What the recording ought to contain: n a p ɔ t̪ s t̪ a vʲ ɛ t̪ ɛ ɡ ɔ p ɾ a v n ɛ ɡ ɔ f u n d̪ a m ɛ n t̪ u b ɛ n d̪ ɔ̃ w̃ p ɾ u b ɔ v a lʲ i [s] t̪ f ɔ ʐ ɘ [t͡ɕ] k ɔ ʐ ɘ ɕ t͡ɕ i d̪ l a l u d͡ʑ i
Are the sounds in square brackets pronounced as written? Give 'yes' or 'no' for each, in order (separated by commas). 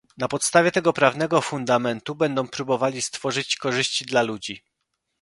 yes, yes